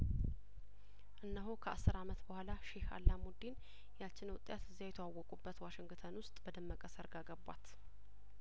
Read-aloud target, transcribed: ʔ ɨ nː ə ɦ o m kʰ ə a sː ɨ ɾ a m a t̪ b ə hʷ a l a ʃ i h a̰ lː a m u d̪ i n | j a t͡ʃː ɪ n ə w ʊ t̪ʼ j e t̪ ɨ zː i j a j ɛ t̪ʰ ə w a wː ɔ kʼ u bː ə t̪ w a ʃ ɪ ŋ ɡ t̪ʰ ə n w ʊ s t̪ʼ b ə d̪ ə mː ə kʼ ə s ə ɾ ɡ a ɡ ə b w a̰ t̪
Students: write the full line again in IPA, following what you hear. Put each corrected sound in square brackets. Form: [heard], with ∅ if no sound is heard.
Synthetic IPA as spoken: ʔ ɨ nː ə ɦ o [∅] kʰ ə a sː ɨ ɾ a m [ə] t̪ b ə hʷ a l a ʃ [e] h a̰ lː a m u d̪ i n | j a t͡ʃː ɪ n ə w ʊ t̪ʼ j [a] t̪ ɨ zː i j a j ɛ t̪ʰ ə w a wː ɔ kʼ u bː ə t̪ w a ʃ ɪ ŋ ɡ t̪ʰ ə n w ʊ s t̪ʼ b ə d̪ ə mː ə kʼ ə s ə ɾ ɡ a ɡ ə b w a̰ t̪